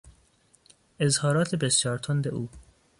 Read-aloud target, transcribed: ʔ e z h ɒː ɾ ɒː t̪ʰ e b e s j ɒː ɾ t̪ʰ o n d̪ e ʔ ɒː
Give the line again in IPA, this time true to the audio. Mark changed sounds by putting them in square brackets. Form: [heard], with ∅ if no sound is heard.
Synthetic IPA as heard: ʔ e z h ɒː ɾ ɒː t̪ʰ e b e s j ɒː ɾ t̪ʰ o n d̪ e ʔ [uː]